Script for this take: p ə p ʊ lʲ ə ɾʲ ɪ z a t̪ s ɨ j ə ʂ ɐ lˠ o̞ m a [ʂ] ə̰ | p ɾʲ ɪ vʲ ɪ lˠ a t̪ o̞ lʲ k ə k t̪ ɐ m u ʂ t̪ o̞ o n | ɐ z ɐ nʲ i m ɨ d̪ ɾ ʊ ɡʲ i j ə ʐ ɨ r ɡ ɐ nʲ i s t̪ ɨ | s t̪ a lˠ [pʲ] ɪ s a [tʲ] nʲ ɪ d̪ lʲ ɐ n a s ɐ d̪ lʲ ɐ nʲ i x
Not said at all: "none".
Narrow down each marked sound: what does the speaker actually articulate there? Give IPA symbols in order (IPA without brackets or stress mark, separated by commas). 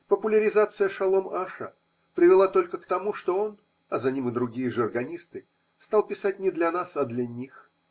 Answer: ʂ, pʲ, tʲ